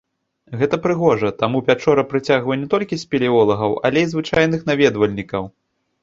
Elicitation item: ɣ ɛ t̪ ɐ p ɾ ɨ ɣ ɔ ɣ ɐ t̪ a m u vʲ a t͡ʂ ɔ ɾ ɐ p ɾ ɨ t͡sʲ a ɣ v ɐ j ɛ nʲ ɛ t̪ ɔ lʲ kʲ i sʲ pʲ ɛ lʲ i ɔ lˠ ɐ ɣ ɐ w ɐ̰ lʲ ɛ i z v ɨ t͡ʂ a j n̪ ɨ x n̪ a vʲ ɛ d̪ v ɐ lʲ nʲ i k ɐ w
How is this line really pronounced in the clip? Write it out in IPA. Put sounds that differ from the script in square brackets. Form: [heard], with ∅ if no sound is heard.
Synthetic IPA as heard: ɣ ɛ t̪ ɐ p ɾ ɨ ɣ ɔ [ʐ] ɐ t̪ a m u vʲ a t͡ʂ ɔ ɾ ɐ p ɾ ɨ t͡sʲ a ɣ v ɐ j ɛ nʲ ɛ t̪ ɔ lʲ kʲ i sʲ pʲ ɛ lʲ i ɔ lˠ ɐ ɣ ɐ w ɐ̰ lʲ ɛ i z v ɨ t͡ʂ a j n̪ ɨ x n̪ a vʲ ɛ d̪ v ɐ lʲ nʲ i k ɐ w